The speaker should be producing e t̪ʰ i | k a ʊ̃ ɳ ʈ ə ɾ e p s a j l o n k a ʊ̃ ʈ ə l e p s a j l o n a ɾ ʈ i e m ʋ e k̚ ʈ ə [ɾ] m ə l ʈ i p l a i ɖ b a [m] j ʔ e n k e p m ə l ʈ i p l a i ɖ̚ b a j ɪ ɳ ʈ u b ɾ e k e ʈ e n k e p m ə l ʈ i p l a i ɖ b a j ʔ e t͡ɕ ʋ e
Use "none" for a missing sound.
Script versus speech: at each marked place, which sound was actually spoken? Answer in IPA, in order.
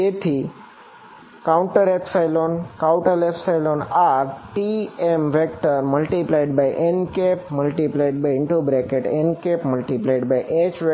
ɾ, none

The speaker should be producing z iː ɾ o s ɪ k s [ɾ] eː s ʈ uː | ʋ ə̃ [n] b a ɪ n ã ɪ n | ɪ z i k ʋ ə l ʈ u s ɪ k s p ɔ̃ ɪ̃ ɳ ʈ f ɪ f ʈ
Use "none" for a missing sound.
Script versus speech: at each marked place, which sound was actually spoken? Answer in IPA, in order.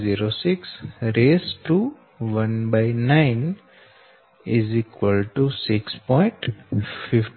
ɾ, n

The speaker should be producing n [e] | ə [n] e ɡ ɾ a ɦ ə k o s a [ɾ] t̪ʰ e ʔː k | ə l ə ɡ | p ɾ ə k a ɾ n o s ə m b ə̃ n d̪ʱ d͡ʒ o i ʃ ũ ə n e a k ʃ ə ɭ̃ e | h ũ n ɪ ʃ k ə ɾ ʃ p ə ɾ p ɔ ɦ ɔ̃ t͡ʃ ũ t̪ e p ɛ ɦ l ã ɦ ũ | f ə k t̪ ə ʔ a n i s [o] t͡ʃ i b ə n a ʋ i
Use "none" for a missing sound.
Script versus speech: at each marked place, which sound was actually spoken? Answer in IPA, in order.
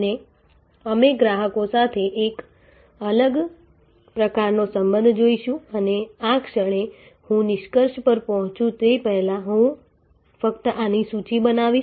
e, m, none, u

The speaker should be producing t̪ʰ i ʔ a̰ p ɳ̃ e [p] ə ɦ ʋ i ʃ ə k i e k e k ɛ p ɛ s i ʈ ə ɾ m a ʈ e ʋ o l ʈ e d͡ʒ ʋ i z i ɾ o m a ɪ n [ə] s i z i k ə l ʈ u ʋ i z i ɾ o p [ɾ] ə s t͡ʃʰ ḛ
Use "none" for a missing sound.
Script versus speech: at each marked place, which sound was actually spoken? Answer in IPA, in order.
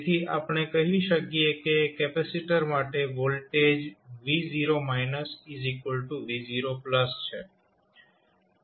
k, ə, l

